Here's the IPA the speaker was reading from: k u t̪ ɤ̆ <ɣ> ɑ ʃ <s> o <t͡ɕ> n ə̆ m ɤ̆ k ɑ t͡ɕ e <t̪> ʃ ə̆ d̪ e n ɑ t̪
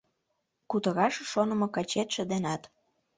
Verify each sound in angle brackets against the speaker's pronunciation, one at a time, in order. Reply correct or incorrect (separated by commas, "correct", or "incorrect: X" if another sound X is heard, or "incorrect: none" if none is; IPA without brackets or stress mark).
correct, incorrect: ʃ, incorrect: none, correct